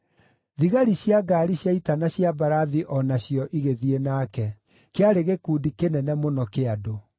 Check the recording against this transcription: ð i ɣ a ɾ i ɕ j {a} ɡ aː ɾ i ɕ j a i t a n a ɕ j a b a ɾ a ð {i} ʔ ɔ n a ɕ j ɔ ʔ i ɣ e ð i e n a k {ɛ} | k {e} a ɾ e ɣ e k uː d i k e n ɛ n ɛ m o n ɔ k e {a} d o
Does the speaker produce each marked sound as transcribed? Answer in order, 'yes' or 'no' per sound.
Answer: yes, yes, yes, yes, yes

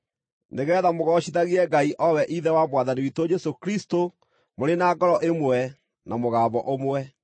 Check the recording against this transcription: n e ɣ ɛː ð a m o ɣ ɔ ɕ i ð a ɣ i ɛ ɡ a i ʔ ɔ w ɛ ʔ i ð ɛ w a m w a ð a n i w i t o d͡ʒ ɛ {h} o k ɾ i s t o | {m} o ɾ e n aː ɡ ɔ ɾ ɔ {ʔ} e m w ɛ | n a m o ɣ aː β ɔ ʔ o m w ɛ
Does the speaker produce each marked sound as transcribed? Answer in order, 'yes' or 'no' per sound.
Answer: no, yes, yes

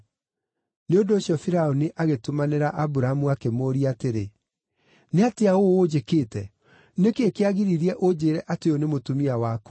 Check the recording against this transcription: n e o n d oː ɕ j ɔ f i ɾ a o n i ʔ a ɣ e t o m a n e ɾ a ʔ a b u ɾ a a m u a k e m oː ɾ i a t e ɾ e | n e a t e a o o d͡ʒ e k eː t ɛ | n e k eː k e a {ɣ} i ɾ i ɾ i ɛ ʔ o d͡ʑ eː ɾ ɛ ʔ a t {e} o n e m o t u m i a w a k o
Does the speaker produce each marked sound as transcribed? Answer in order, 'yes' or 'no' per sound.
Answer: yes, yes

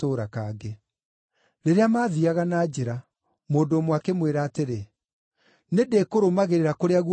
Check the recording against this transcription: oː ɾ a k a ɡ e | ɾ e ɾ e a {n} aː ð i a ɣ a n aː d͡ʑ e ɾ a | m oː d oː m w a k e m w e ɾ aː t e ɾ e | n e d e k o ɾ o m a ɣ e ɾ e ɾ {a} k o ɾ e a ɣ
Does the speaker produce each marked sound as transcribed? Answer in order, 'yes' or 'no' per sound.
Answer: no, yes

